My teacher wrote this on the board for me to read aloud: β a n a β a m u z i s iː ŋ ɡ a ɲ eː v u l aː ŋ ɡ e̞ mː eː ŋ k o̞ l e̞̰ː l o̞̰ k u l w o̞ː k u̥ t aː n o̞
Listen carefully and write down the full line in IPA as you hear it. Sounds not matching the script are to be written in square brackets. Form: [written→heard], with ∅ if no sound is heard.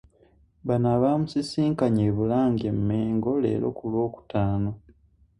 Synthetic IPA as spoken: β a n a β a m u [z→s] i s iː ŋ [ɡ→k] a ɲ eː [v→β] u l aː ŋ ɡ e̞ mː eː ŋ [k→ɡ] o̞ l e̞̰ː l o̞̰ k u l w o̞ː k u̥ t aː n o̞